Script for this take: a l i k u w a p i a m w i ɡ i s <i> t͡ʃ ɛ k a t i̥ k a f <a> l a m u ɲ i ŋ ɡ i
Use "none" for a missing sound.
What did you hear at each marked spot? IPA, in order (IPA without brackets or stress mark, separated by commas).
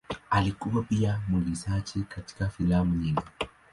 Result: a, i